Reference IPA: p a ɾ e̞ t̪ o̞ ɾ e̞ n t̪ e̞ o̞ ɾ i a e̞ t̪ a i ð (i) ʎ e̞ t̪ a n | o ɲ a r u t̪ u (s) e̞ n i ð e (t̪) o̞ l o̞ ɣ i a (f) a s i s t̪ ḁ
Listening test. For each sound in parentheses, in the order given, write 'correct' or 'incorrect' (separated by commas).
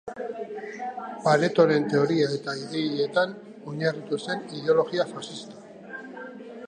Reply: incorrect, correct, incorrect, correct